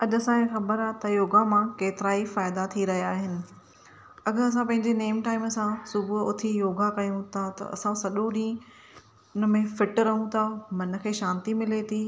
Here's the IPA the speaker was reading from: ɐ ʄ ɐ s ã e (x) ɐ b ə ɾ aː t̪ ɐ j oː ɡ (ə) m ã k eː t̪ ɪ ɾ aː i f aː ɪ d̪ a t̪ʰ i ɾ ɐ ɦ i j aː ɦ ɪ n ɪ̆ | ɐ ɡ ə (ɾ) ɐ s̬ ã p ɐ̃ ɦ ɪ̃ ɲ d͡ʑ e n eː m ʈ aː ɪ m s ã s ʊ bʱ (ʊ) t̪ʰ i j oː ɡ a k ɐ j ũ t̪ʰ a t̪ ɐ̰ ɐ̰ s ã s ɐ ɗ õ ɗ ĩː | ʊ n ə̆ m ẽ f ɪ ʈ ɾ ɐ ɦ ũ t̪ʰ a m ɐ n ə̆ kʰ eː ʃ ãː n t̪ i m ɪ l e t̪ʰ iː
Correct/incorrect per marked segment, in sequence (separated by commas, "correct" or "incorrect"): correct, incorrect, correct, correct